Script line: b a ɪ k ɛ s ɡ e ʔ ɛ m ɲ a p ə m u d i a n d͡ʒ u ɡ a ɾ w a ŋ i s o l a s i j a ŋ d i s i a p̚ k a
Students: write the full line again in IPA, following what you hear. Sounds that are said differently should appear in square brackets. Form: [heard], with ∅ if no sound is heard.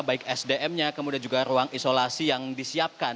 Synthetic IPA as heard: b a ɪ k ɛ s [d] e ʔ ɛ m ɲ a [k] ə m u d i a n d͡ʒ u ɡ a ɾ [u] a ŋ i s o l a s i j a ŋ d i s i a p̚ k a